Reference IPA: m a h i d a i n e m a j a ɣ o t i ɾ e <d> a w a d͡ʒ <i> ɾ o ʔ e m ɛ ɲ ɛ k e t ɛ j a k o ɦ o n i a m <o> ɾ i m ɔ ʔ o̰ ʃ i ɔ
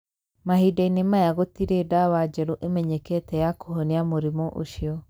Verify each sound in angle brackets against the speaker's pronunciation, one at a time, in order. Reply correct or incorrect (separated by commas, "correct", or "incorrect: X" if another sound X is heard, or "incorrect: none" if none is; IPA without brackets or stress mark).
correct, incorrect: ɛ, correct